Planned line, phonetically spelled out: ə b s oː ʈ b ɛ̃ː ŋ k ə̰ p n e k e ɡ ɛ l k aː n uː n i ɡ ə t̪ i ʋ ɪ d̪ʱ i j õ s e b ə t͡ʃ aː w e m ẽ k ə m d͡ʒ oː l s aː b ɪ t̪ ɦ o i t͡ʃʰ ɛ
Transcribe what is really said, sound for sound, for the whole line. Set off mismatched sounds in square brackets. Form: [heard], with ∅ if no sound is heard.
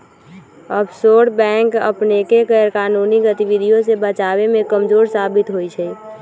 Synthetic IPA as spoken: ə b s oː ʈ b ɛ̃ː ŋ k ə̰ p n e k e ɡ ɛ [ɾ] k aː n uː n i ɡ ə t̪ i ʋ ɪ d̪ʱ i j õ s e b ə t͡ʃ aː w e m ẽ k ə m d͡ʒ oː [ɾ] s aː b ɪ t̪ ɦ o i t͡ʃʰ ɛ